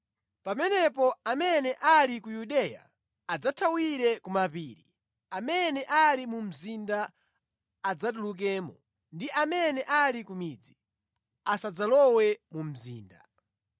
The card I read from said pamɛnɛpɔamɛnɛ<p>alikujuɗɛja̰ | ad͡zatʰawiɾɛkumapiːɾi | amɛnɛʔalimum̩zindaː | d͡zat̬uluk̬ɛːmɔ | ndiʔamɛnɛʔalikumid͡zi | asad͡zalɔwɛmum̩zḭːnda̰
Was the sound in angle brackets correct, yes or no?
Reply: no